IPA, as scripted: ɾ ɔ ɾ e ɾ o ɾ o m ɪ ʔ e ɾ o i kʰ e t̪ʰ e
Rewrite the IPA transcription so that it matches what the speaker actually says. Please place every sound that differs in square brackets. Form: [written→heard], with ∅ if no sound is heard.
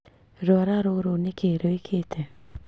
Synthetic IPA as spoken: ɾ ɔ ɾ [e→a] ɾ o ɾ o [m→n] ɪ [ʔ→k] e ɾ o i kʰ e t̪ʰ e